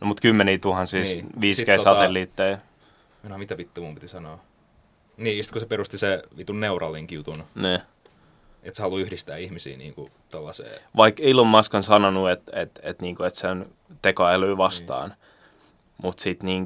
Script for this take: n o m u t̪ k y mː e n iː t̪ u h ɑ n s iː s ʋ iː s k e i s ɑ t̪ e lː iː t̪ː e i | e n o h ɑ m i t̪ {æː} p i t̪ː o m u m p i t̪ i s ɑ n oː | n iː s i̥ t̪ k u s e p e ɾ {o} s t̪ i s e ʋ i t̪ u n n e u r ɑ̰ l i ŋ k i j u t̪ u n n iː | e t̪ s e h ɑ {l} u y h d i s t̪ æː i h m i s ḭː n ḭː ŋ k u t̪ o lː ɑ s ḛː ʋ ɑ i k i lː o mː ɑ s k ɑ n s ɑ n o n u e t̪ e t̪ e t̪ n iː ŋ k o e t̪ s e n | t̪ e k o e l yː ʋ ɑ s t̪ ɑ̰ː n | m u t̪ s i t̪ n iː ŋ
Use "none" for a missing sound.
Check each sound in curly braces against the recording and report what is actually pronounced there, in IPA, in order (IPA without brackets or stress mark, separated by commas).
æ, u, l